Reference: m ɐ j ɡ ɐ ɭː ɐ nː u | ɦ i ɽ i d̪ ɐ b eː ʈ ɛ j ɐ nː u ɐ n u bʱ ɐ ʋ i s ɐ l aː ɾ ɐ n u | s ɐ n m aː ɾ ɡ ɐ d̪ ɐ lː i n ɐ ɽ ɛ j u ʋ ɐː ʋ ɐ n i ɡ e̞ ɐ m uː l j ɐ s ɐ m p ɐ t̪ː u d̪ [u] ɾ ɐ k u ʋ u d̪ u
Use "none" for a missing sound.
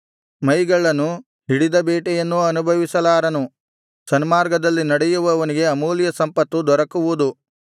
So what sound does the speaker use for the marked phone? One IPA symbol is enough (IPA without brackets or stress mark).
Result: ɔ